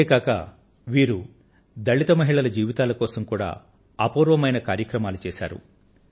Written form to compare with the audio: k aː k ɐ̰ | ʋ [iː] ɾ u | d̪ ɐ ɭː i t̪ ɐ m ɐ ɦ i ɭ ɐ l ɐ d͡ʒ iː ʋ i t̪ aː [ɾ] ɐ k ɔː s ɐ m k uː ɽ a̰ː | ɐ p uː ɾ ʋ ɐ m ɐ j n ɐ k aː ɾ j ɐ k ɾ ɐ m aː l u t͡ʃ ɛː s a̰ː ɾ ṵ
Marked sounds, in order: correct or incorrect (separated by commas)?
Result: correct, incorrect